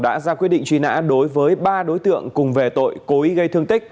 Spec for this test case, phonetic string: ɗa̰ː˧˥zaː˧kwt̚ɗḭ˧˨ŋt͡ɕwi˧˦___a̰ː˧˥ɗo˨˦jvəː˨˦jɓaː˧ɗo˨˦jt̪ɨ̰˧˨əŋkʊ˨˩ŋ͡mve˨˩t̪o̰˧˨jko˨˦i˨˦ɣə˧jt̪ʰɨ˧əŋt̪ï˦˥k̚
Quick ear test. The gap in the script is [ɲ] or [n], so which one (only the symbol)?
n